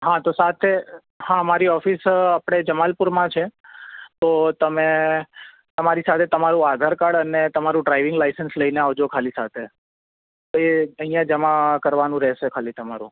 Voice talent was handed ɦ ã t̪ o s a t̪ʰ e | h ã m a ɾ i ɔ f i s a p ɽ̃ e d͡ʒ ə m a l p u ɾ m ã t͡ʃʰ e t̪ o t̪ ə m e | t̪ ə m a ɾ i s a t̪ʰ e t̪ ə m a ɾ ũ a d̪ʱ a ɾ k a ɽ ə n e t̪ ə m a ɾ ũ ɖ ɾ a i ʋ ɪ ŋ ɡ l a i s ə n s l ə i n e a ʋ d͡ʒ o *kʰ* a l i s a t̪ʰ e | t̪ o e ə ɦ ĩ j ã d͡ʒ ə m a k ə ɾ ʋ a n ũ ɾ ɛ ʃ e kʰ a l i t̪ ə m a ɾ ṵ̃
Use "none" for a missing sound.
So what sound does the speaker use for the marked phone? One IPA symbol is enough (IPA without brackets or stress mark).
kʰ